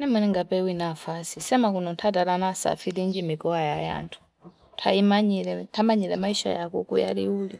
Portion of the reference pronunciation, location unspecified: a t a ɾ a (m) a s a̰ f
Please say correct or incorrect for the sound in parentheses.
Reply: incorrect